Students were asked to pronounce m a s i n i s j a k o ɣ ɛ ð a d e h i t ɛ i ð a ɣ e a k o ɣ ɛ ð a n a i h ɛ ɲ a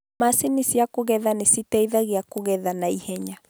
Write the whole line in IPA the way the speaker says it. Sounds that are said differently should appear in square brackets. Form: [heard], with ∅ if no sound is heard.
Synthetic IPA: m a s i n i s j a k o ɣ ɛ ð a [n] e [s] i t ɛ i ð a ɣ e a k o ɣ ɛ ð a n a i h ɛ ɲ a